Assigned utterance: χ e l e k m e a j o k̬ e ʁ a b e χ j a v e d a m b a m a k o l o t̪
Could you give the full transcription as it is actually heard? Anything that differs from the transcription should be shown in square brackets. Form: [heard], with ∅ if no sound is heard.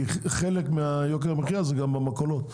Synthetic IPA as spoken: χ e l e k m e a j o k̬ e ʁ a [m] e χ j a [z] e [ɡ] a m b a m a k o l o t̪